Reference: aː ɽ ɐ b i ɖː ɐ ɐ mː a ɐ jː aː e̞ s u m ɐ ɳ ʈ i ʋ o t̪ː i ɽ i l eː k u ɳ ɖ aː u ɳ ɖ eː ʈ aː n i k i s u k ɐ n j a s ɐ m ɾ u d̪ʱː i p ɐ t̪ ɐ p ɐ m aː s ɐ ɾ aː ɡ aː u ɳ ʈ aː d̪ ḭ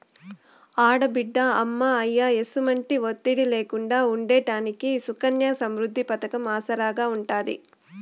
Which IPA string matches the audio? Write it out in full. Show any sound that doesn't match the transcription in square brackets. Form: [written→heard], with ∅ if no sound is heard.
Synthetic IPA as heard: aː ɽ ɐ b i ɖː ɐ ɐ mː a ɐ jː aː e̞ s u m ɐ ɳ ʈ i ʋ o t̪ː i ɽ i l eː k u ɳ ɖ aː u ɳ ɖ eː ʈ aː n i k i s u k ɐ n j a s ɐ m ɾ u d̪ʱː i p ɐ t̪ ɐ [p→k] ɐ m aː s ɐ ɾ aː ɡ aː u ɳ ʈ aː d̪ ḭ